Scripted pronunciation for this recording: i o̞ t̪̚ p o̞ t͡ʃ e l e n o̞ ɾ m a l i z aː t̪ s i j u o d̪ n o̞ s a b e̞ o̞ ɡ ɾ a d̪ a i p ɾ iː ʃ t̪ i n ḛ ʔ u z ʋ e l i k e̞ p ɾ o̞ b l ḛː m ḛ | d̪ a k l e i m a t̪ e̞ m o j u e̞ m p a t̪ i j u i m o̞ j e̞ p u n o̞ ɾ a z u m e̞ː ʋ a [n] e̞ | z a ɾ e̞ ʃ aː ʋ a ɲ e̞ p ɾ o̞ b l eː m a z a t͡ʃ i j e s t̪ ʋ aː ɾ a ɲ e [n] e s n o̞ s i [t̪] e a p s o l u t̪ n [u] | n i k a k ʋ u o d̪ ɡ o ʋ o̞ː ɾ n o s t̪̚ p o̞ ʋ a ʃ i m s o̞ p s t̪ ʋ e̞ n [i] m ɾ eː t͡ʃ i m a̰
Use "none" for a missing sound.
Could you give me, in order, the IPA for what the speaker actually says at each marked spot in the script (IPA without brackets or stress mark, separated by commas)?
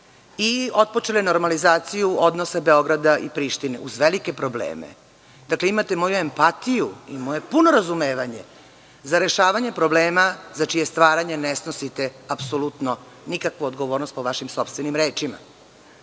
ɲ, n, t̪, o, i